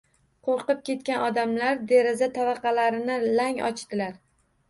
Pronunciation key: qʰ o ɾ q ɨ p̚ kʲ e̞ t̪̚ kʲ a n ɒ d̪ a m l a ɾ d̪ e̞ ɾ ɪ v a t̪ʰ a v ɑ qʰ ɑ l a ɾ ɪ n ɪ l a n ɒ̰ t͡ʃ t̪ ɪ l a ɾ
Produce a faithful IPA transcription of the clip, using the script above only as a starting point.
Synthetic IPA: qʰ o ɾ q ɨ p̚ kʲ e̞ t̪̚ kʲ a n ɒ d̪ a m l a ɾ d̪ e̞ ɾ ɪ z a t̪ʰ a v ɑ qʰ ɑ l a ɾ ɪ n ɪ l a ŋ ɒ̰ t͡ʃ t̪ ɪ l a ɾ